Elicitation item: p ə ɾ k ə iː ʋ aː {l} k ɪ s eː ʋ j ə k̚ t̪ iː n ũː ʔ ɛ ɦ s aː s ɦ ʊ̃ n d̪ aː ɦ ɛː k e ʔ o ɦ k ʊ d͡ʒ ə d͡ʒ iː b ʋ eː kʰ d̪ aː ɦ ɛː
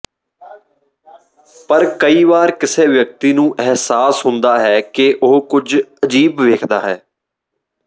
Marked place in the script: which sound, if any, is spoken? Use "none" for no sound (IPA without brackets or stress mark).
ɾ